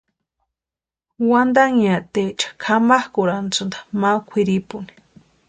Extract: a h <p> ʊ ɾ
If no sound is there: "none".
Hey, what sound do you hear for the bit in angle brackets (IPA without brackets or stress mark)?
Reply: k